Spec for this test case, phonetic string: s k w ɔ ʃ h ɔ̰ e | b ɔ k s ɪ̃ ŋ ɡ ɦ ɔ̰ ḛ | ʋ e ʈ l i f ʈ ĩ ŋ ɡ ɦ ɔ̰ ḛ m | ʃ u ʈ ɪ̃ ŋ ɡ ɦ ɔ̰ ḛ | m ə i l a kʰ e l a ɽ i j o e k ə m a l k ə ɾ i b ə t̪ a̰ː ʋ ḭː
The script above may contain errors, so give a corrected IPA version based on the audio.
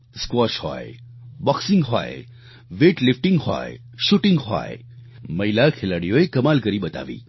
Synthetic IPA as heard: s k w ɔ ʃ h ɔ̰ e | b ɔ k s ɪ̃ ŋ ɡ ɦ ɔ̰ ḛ | ʋ e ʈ l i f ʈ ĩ ŋ ɡ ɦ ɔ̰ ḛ | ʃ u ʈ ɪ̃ ŋ ɡ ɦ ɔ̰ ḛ | m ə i l a kʰ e l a ɽ i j o e k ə m a l k ə ɾ i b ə t̪ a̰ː ʋ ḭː